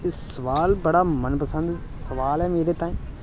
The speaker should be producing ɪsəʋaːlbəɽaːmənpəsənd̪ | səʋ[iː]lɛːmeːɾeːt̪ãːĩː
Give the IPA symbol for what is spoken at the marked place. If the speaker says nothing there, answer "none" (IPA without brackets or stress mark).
aː